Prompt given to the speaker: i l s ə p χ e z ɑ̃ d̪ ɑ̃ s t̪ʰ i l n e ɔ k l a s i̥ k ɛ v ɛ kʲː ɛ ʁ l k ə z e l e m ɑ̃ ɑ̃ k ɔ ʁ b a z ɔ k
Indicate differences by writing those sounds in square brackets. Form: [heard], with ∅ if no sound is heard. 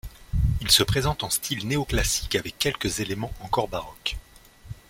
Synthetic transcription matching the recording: i l s ə p χ e z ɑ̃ [t̪] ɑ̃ s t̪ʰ i l n e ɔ k l a s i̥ k [a] v ɛ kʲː ɛ [∅] l k ə z e l e m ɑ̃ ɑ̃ k ɔ ʁ b a [ʁ] ɔ k